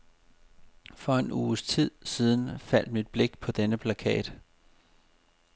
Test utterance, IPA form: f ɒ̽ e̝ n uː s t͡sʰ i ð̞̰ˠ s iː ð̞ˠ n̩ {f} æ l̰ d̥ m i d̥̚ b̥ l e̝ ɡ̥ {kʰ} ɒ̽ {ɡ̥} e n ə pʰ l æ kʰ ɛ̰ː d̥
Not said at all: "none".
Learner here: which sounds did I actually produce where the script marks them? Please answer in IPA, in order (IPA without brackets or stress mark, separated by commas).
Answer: f, pʰ, d̥